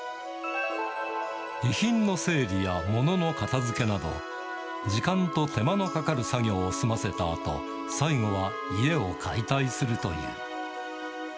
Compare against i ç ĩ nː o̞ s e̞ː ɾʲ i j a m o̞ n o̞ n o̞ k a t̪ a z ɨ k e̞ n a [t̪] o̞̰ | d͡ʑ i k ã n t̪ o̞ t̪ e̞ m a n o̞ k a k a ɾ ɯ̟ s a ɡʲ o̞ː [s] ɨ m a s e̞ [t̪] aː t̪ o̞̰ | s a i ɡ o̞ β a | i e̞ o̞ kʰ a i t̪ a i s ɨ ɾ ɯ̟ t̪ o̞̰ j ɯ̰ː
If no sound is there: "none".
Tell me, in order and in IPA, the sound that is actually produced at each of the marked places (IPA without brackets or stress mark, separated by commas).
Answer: d̪, s, t̪